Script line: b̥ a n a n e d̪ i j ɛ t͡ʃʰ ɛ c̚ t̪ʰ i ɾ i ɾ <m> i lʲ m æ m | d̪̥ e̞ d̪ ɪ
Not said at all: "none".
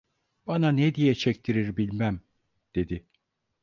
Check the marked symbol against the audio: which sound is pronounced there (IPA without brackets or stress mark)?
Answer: b